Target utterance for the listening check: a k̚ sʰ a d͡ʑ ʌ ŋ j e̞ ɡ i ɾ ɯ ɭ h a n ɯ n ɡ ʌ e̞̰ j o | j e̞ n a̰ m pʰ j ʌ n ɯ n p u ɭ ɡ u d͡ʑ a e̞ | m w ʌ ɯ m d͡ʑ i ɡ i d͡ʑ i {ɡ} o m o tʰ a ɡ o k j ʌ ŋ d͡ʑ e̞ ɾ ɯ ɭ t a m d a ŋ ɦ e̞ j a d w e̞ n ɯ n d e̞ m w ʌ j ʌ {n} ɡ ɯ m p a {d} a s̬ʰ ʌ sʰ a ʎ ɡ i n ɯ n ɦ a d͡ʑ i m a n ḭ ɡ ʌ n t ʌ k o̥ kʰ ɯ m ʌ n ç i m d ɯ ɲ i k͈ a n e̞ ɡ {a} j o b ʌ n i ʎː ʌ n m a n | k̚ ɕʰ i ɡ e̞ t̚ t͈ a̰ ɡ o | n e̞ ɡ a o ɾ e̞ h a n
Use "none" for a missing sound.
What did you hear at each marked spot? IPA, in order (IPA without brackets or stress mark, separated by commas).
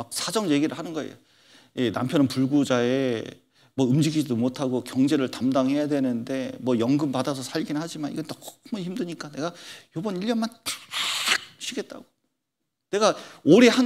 d, ŋ, d, a